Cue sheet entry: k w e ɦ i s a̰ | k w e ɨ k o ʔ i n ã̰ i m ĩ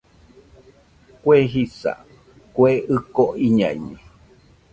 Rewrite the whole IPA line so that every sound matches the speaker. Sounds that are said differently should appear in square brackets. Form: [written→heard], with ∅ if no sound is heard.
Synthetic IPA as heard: k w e ɦ i s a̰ | k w e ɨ k o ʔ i [n→ɲ] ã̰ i [m→ɲ] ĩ